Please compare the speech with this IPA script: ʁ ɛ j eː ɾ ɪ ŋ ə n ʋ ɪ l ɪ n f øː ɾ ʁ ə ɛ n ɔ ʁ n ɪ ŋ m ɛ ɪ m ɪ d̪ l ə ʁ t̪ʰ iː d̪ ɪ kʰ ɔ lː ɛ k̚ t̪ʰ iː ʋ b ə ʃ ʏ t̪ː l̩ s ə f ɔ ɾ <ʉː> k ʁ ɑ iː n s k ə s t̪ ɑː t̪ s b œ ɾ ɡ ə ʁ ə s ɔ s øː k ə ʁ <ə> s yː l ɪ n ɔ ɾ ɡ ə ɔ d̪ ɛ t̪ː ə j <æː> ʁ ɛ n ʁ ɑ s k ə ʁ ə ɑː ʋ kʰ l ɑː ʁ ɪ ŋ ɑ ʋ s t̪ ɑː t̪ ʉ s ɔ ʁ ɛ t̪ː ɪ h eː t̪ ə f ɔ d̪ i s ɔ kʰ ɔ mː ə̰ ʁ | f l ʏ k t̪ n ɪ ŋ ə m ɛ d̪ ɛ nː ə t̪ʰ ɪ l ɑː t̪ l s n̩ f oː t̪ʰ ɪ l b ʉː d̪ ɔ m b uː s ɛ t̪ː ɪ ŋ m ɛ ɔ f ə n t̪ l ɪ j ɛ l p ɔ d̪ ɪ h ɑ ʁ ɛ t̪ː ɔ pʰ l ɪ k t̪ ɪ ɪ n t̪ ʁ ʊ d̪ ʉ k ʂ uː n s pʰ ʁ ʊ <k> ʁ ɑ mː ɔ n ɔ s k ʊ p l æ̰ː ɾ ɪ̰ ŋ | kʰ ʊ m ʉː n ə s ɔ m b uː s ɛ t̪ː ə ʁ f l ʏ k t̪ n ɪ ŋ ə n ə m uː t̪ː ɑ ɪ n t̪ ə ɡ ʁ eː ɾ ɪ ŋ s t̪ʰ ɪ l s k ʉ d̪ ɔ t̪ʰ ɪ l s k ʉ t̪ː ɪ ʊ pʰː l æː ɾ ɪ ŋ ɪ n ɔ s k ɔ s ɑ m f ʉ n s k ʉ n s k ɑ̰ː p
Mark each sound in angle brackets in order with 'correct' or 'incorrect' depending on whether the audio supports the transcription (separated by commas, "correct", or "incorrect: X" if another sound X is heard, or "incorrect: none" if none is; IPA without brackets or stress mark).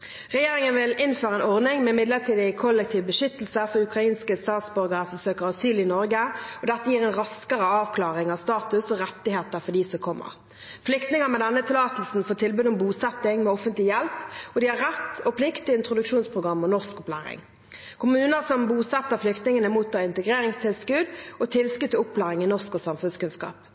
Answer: incorrect: ʉ, incorrect: ɑ, incorrect: iː, incorrect: ɡ